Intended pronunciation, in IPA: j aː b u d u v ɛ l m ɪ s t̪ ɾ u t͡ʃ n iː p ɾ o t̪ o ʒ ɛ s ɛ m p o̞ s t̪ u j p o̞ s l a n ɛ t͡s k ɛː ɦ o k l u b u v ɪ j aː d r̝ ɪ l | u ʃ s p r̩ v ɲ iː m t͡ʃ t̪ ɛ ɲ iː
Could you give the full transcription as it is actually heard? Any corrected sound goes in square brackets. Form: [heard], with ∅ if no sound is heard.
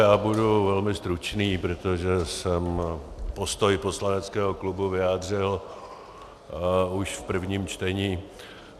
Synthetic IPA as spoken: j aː b u d u v ɛ l m ɪ s t̪ ɾ u t͡ʃ n iː p ɾ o t̪ o ʒ ɛ s ɛ m p o̞ s t̪ [o] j p o̞ s l a n ɛ t͡s k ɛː ɦ o k l u b u v ɪ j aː d r̝ ɪ l | u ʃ [f] p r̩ v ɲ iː m t͡ʃ t̪ ɛ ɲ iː